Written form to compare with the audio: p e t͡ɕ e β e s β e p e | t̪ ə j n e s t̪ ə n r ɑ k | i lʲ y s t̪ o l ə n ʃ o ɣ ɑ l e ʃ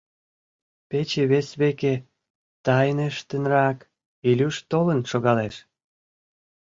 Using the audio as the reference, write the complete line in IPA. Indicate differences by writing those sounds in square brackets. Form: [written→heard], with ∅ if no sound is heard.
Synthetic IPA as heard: p e t͡ɕ e β e s β e [p→k] e | t̪ [ə→ɑ] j n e [s→ʃ] t̪ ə n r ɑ k | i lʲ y [s→ʃ] t̪ o l ə n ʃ o ɣ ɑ l e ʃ